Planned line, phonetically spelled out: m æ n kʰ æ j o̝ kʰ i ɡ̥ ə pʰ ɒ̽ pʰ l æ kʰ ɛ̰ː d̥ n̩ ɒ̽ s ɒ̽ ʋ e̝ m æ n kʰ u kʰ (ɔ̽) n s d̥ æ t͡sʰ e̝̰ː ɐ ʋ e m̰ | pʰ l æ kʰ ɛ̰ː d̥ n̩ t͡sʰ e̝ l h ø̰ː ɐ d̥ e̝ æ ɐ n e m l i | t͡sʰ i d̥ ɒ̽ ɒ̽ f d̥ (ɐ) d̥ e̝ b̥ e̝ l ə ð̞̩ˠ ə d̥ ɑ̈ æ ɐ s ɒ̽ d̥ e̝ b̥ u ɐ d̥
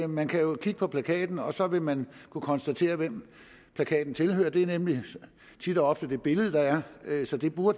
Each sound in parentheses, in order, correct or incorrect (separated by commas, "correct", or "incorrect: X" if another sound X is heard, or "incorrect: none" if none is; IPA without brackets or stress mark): incorrect: ɒ̽, incorrect: ə